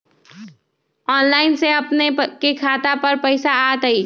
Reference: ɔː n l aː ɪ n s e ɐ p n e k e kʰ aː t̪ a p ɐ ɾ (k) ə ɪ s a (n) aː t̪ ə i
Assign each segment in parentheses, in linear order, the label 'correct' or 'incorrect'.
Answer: incorrect, incorrect

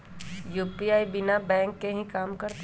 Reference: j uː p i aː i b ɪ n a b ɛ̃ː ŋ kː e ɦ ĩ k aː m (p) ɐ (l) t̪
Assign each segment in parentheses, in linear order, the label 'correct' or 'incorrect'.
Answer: incorrect, incorrect

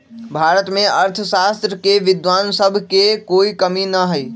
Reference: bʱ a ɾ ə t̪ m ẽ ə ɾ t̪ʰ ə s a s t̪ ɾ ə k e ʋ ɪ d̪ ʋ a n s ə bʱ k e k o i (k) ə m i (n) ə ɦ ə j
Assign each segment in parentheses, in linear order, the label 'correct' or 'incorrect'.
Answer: correct, correct

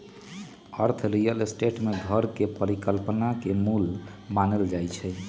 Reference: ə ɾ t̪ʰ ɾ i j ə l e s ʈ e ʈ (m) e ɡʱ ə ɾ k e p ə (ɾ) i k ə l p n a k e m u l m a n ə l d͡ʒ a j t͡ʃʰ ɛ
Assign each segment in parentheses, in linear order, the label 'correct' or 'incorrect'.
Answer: correct, correct

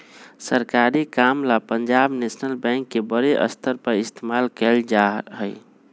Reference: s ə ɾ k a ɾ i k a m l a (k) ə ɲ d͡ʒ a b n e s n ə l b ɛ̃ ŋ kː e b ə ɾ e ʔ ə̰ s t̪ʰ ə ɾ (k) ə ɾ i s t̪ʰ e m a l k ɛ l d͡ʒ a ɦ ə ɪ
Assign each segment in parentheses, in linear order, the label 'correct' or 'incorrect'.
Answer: incorrect, incorrect

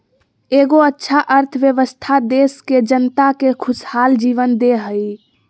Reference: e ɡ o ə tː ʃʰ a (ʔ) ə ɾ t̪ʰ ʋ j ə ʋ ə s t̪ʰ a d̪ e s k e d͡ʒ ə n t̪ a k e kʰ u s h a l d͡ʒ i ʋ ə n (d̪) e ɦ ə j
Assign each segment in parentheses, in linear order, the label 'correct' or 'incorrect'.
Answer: correct, correct

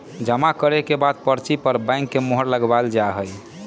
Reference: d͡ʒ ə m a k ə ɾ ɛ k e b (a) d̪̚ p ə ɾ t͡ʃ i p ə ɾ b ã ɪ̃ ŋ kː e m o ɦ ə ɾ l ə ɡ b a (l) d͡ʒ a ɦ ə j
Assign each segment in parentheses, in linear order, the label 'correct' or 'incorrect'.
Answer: correct, correct

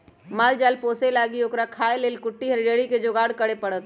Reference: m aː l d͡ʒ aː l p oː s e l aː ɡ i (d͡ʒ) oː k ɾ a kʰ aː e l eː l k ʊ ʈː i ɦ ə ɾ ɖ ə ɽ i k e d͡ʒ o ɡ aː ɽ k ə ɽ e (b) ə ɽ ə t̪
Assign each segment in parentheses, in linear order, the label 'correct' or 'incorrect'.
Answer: incorrect, incorrect

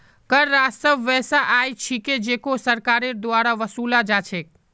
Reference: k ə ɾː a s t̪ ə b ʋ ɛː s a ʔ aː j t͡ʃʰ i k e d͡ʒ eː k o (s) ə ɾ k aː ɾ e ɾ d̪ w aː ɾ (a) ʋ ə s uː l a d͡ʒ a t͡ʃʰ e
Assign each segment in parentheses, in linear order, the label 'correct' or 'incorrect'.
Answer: correct, correct

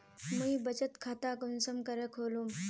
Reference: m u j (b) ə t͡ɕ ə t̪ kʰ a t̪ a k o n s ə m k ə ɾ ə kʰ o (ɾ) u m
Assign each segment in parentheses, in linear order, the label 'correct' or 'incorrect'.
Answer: correct, incorrect

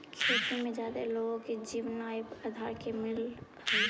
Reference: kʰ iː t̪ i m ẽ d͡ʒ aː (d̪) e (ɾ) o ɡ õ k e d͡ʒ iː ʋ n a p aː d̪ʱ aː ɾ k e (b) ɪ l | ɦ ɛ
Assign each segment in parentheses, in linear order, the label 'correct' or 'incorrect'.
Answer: correct, incorrect, incorrect

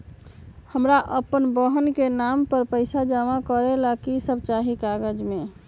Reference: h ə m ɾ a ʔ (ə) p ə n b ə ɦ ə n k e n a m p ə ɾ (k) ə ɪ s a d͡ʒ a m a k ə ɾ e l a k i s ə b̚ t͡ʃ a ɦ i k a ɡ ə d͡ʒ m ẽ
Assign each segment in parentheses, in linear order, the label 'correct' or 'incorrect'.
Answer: correct, incorrect

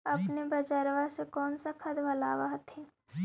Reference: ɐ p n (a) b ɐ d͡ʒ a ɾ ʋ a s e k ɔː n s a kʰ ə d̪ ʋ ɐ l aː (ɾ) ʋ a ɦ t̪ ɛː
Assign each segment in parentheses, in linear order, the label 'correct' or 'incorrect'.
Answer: incorrect, incorrect

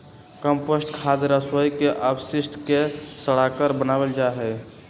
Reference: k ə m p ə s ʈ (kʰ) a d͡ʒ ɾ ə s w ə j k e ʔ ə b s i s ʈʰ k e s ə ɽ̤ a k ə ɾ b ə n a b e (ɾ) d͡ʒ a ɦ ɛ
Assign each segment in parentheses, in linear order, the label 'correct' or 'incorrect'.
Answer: correct, incorrect

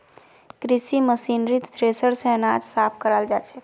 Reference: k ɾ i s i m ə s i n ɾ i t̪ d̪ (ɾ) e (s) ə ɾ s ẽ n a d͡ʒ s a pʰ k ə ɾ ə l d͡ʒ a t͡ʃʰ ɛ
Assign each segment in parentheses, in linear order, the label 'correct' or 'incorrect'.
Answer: correct, correct

